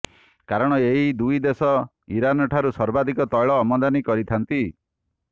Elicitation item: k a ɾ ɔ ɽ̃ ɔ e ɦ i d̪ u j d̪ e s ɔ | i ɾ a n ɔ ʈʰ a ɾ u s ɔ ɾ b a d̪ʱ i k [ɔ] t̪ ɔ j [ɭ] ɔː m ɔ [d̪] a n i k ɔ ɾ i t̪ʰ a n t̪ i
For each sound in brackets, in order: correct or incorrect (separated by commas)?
correct, correct, correct